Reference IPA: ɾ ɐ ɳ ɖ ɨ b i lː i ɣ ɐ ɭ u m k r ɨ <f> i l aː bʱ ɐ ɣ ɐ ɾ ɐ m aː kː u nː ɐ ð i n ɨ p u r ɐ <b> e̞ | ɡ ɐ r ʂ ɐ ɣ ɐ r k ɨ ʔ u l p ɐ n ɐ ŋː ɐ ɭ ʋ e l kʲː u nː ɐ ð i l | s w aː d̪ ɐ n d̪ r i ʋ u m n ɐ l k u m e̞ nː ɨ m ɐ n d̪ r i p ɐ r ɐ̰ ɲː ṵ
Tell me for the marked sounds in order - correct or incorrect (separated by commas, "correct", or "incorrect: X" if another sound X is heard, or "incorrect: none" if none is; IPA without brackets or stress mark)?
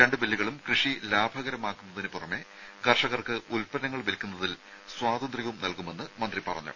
incorrect: ʂ, incorrect: m